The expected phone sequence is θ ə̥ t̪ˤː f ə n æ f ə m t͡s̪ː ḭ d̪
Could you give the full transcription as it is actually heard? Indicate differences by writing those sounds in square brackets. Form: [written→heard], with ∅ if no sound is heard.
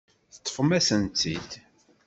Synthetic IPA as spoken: θ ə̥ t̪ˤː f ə [n→m] æ [f→s] ə [m→n] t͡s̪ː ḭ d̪